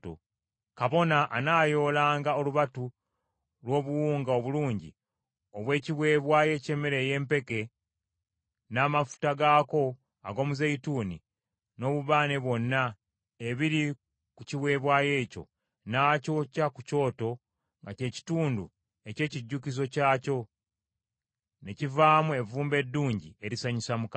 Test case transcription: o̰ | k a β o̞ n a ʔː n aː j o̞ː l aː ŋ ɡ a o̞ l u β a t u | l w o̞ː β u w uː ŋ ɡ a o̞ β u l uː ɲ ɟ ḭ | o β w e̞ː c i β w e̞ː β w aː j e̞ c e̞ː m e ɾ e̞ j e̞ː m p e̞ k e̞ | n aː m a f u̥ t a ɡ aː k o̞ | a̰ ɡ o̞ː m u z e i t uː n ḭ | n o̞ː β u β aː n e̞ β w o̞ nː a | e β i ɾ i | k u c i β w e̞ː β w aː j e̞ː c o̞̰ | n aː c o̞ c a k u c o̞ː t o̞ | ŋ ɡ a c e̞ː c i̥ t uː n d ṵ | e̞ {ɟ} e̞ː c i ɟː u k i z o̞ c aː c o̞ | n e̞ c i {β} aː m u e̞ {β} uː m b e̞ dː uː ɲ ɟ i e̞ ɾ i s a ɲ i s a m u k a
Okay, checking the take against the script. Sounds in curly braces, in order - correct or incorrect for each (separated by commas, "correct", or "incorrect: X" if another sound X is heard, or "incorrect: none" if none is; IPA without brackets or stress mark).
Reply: incorrect: c, incorrect: v, incorrect: v